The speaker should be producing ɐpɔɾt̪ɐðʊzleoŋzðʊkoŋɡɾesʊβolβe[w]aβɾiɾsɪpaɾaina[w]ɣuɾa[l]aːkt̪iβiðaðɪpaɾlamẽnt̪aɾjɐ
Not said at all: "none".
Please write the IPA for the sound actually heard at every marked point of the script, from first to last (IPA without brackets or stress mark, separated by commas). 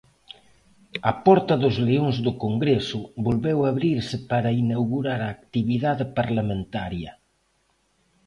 w, w, ɾ